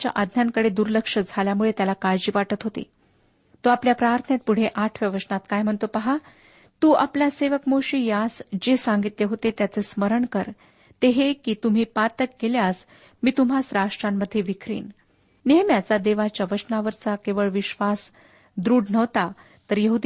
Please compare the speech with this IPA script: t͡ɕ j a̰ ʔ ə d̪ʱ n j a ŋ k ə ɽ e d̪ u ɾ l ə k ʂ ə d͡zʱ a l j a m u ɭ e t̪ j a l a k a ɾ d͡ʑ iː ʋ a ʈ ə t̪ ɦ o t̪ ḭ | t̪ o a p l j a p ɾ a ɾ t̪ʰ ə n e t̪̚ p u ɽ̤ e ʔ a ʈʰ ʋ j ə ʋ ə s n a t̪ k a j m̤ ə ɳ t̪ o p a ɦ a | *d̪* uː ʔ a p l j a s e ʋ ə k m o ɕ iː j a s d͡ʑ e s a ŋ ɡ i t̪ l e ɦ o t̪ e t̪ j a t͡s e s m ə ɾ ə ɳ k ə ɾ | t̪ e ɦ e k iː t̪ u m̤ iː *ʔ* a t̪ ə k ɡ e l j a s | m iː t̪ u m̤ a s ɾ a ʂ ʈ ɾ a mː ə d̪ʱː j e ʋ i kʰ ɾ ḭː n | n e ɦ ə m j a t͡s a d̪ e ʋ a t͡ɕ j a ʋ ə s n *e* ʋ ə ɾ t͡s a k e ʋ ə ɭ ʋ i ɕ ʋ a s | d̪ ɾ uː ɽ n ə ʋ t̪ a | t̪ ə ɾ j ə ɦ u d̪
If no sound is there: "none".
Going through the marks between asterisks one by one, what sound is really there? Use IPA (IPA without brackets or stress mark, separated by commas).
t̪, p, a